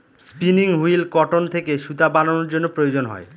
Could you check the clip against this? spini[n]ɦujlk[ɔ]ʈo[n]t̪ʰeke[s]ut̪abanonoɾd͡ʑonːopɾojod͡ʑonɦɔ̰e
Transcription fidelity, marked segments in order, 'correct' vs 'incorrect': incorrect: ŋ, correct, correct, incorrect: ʃ

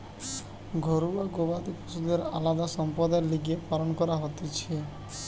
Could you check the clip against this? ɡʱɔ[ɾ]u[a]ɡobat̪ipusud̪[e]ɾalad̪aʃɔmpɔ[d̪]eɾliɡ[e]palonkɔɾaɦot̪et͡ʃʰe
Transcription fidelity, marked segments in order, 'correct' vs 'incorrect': correct, correct, correct, correct, correct

